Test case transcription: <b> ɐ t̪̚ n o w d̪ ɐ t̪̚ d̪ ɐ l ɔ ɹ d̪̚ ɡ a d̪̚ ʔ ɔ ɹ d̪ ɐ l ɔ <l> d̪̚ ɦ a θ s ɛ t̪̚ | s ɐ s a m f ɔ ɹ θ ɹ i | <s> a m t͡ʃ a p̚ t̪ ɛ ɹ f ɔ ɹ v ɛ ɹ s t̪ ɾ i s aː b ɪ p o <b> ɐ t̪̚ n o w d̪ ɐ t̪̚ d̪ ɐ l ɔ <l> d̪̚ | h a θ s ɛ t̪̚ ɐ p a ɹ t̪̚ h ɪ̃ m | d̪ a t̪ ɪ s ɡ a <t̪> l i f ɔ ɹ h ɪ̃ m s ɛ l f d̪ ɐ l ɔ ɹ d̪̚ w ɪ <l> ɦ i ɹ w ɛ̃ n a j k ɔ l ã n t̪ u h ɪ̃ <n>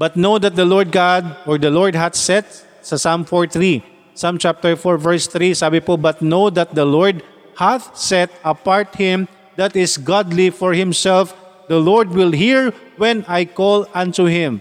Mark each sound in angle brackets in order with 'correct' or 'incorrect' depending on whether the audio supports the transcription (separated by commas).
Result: correct, incorrect, correct, correct, incorrect, incorrect, correct, incorrect